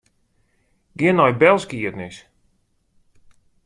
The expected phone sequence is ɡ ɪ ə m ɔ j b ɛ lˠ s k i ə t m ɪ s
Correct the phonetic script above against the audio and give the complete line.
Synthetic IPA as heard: ɡ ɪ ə n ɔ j b ɛ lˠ s k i ə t n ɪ s